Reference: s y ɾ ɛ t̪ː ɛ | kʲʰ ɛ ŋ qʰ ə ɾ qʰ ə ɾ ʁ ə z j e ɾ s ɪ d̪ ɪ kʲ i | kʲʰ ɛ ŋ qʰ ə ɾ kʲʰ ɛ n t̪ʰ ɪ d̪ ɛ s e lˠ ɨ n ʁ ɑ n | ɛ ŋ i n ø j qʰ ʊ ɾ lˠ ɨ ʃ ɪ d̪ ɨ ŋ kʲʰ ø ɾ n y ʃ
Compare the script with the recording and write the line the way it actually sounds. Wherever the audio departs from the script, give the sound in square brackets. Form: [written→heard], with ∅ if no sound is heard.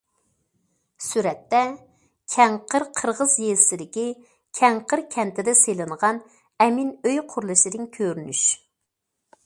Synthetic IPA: s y ɾ ɛ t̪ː ɛ | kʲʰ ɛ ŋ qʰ ə ɾ qʰ ə ɾ ʁ ə z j e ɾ s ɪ d̪ ɪ kʲ i | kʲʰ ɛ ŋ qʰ ə ɾ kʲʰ ɛ n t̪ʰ ɪ d̪ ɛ s e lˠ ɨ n ʁ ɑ n | ɛ [ŋ→m] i n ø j qʰ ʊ ɾ lˠ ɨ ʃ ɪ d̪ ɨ ŋ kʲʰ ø ɾ n y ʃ